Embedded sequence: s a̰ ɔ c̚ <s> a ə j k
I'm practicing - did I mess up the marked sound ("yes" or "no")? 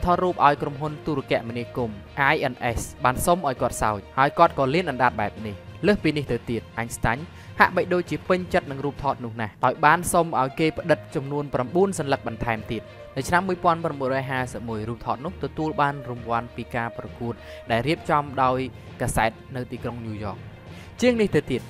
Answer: yes